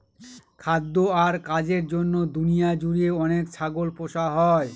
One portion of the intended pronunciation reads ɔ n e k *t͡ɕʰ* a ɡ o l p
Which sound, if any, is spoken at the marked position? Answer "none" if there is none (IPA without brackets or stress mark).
t͡ɕʰ